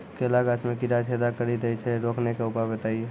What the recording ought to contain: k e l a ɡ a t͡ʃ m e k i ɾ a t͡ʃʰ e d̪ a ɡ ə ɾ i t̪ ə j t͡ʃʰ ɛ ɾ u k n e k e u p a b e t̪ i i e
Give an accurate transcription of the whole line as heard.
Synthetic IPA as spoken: k e l a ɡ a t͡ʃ m e k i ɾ a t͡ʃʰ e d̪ a k ə ɾ i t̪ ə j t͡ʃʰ ɛ ɾ o k n e k e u p a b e t̪ a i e